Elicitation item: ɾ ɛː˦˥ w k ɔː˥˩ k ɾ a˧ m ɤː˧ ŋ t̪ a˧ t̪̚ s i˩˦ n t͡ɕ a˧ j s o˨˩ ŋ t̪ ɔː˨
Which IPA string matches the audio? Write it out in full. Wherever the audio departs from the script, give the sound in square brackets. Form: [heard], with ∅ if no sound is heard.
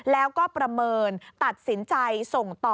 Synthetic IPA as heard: [l] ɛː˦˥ w k ɔː˥˩ [p] ɾ a˧ m ɤː˧ [n] t̪ [a˨˩] t̪̚ s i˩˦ n t͡ɕ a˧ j s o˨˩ ŋ t̪ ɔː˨